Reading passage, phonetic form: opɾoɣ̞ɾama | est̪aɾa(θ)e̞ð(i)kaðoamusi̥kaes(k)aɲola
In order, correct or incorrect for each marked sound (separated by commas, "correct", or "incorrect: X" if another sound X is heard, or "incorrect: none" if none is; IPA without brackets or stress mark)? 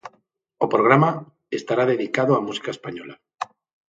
incorrect: ð, correct, incorrect: p